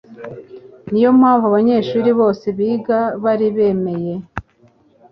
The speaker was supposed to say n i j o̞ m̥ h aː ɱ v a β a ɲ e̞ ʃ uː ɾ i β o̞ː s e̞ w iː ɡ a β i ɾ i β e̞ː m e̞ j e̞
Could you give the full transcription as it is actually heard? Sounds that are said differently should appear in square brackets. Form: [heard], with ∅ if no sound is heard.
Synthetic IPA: n i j o̞ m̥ h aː ɱ v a β a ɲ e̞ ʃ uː ɾ i β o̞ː s e̞ [β] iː ɡ a β [a] ɾ i β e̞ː m e̞ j e̞

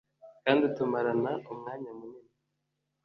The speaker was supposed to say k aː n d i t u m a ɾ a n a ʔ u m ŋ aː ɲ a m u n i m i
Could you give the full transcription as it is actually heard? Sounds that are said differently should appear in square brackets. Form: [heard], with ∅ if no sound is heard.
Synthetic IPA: k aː n d i t u m a ɾ a n a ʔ u m ŋ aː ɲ a m u n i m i

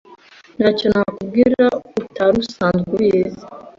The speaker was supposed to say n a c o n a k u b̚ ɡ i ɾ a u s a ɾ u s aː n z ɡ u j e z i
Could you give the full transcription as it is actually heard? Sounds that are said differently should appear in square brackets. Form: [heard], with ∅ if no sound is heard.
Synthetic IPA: n a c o n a k u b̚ ɡ i ɾ a u [t] a ɾ u s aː n z ɡ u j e z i

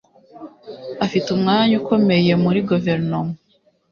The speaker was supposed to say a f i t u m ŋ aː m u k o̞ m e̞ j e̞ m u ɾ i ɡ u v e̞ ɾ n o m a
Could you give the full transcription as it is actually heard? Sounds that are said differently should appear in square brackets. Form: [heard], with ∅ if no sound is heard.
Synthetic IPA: a f i t u m ŋ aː [ɲ] u k o̞ m e̞ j e̞ m u ɾ i ɡ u v e̞ ɾ n o m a

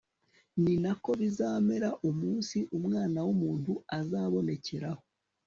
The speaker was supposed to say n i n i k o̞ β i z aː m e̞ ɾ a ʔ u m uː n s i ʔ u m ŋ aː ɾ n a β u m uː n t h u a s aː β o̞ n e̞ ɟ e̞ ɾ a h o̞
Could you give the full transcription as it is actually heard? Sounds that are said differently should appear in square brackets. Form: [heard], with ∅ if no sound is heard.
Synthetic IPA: n i n [a] k o̞ β i z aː m e̞ ɾ a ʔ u m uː n s i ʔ u m ŋ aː [∅] n a [w] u m uː n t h u a [z] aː β o̞ n e̞ [c] e̞ ɾ a h o̞

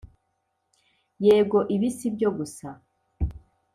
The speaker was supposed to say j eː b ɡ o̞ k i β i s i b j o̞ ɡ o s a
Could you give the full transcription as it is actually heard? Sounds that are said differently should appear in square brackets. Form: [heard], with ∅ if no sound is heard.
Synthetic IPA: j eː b ɡ o̞ [ʔ] i β i s i b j o̞ ɡ [u] s a

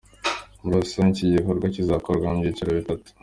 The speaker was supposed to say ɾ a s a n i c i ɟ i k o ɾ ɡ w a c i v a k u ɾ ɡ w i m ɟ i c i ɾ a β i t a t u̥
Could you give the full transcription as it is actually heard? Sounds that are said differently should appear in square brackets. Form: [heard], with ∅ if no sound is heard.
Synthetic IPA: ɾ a s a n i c i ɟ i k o ɾ ɡ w a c i [z] a k [o] ɾ ɡ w [a] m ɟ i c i ɾ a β i t a t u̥

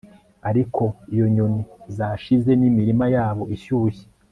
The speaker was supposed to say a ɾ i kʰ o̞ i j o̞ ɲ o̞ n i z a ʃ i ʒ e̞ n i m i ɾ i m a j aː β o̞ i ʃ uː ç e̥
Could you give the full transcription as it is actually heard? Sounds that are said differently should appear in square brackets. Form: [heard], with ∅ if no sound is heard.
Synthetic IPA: a ɾ i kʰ o̞ i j o̞ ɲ o̞ n i z a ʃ i [z] e̞ n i m i ɾ i m a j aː β o̞ i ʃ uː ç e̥

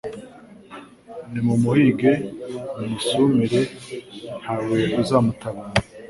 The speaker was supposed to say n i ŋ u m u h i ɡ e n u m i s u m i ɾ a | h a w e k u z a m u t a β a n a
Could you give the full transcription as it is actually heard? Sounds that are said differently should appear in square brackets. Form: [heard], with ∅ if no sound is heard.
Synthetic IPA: n i [m] u m u h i ɡ e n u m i s u m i ɾ [e] | h a w e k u z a m u t a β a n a

